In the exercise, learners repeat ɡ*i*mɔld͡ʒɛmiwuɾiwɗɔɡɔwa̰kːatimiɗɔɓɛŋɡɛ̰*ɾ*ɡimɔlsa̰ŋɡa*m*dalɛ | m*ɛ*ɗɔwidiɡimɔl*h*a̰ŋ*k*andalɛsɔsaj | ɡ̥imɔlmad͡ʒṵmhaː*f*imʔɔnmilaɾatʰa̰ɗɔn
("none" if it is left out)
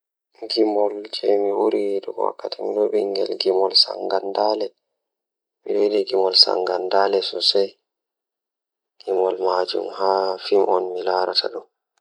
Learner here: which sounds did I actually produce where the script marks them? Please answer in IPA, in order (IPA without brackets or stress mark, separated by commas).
i, l, n, i, s, ɡ, f